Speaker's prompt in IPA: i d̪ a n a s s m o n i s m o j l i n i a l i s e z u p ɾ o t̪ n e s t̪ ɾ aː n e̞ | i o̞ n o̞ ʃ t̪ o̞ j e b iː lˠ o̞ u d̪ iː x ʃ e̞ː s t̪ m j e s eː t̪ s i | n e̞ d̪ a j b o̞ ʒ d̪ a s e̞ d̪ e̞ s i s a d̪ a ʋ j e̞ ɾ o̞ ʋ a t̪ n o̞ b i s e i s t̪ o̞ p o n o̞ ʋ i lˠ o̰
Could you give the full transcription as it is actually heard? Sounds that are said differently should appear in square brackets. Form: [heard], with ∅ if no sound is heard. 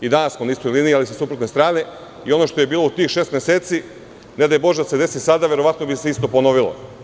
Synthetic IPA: i d̪ a n a s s m o n i s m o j l i n i a l i s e [s] u p ɾ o t̪ n e s t̪ ɾ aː n e̞ | i o̞ n o̞ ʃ t̪ o̞ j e b iː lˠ o̞ u [t̪] iː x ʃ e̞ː s t̪ m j e s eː t̪ s i | n e̞ d̪ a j b o̞ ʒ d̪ a s e̞ d̪ e̞ s i s a d̪ a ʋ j e̞ ɾ o̞ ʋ a t̪ n o̞ b i s e i s t̪ o̞ p o n o̞ ʋ i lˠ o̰